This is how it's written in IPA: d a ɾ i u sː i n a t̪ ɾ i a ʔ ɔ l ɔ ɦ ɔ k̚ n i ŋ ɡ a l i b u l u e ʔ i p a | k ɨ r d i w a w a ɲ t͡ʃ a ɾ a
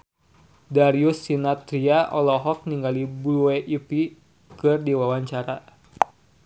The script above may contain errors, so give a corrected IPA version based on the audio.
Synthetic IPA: d a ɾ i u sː i n a t̪ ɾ i a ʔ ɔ l ɔ ɦ ɔ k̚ n i ŋ ɡ a l i b u l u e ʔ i p i | k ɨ r d i w a w a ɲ t͡ʃ a ɾ a